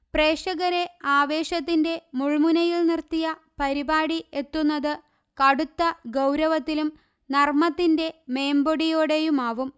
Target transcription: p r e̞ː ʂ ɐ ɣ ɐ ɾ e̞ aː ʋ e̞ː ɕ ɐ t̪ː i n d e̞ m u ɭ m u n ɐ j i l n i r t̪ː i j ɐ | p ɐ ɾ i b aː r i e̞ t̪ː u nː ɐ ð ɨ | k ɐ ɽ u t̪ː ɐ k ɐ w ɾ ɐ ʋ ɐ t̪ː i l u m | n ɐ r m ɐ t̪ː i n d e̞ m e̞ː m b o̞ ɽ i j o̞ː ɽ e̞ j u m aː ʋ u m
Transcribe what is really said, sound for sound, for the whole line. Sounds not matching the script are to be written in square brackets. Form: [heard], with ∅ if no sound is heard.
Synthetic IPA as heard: p r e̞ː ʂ ɐ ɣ ɐ ɾ e̞ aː ʋ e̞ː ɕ ɐ t̪ː i n d e̞ m u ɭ m u n ɐ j i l n i r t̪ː i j ɐ | p ɐ ɾ i b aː [ɽ] i e̞ t̪ː u nː ɐ ð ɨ | k ɐ ɽ u t̪ː ɐ [ɡ] ɐ w ɾ ɐ ʋ ɐ t̪ː i l u m | n ɐ r m ɐ t̪ː i n d e̞ m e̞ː m b o̞ ɽ i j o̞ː ɽ e̞ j u m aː ʋ u m